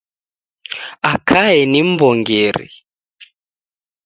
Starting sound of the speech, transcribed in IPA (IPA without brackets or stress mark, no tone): a